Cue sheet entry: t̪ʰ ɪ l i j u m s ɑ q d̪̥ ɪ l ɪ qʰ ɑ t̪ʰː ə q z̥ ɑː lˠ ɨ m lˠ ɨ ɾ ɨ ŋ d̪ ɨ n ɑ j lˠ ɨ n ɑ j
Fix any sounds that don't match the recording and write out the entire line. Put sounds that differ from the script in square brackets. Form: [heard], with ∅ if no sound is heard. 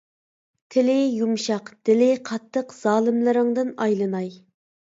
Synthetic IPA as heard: t̪ʰ ɪ l [ɪ] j u m [ʃ] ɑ q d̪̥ ɪ l ɪ qʰ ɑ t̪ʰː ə q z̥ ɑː lˠ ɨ m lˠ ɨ ɾ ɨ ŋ d̪ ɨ n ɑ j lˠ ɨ n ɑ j